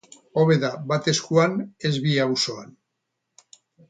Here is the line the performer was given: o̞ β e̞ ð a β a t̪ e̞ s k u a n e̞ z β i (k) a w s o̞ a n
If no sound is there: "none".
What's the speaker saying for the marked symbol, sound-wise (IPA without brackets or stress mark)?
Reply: none